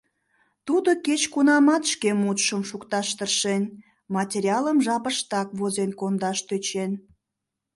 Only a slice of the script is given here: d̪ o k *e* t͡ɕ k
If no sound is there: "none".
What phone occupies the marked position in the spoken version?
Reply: e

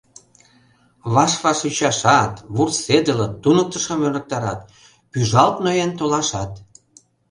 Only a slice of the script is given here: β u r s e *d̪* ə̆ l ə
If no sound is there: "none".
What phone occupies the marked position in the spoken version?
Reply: d̪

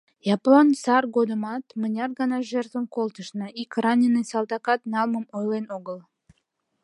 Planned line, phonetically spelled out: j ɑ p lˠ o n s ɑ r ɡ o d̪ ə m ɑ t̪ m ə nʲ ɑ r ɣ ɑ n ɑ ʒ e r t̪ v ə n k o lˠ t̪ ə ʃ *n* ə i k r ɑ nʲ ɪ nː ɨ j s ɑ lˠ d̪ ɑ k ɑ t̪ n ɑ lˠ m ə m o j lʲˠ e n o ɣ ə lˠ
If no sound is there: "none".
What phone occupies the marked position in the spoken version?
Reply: n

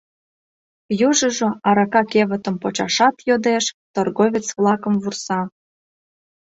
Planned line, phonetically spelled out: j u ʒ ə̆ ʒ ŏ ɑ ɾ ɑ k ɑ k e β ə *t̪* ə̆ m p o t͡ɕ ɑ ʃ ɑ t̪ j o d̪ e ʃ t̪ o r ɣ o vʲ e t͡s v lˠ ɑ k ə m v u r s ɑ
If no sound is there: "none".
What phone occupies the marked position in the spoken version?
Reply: t̪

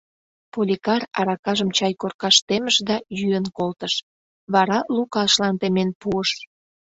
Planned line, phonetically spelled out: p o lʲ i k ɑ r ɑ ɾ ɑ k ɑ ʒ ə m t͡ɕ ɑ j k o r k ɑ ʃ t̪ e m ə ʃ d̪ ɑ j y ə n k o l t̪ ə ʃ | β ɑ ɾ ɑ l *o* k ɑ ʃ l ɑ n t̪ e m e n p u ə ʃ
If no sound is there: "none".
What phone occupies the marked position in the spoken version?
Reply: u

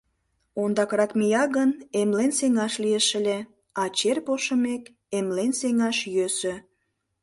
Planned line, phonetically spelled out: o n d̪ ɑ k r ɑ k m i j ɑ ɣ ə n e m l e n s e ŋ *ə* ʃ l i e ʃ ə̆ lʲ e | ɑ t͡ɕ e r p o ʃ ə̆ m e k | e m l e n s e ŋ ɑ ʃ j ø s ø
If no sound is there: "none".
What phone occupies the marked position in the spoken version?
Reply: ɑ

